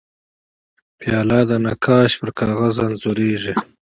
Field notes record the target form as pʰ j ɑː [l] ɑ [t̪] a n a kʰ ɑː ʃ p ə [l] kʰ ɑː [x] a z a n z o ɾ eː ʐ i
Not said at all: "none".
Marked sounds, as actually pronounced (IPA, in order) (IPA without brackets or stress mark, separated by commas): l, d̪, ɾ, ɣ